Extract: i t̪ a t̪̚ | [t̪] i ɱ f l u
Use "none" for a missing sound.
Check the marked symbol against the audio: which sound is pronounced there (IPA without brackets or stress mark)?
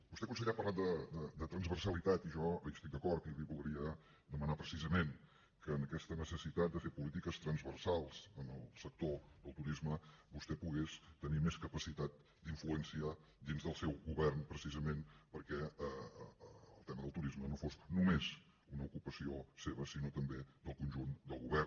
d̪